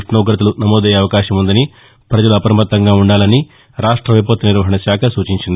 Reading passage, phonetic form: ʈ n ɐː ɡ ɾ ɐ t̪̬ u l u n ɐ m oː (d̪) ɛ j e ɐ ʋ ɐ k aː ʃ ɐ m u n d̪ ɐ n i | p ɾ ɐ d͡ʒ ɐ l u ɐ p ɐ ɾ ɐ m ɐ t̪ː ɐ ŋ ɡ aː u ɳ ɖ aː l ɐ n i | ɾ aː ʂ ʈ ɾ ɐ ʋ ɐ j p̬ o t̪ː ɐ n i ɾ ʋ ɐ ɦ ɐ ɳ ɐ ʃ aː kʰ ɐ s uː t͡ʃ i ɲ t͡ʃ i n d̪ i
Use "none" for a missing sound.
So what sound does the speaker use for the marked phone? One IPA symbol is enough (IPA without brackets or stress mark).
d̪